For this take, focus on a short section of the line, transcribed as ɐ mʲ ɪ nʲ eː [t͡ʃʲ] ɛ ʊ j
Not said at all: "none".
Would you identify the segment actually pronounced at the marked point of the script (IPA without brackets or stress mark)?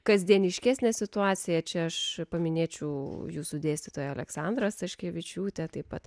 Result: t͡ʃʲ